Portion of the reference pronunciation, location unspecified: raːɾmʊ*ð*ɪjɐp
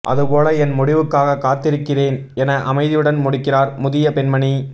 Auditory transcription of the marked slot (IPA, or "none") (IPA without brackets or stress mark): ð